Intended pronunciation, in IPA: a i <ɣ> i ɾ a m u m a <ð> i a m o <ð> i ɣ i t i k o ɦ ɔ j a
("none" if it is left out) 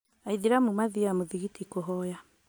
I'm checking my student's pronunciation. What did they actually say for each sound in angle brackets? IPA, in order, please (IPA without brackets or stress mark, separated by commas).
ð, ð, ð